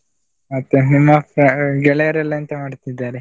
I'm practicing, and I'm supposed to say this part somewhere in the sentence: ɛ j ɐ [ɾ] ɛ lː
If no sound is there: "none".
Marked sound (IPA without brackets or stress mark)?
ɾ